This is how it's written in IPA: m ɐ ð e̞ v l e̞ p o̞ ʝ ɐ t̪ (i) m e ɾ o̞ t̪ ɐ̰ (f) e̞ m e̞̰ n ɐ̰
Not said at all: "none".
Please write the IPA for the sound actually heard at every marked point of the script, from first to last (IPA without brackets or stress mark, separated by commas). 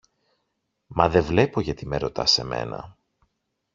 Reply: i, s